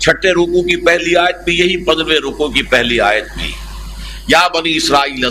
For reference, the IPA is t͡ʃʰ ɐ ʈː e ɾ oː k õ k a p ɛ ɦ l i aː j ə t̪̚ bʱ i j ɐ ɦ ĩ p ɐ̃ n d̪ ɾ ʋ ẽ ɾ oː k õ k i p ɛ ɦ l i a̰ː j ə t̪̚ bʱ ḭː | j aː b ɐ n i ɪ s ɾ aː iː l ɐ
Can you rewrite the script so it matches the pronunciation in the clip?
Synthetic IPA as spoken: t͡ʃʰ ɐ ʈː e ɾ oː k õ k i p ɛ ɦ l i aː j ə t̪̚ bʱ i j ɐ ɦ i p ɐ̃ n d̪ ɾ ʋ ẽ ɾ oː k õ k i p ɛ ɦ l i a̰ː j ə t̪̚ bʱ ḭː | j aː b ɐ n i ɪ s ɾ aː iː l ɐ